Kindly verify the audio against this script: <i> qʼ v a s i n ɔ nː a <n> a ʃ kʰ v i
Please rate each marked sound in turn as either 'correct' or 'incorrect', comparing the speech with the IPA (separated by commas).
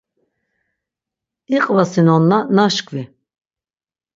correct, correct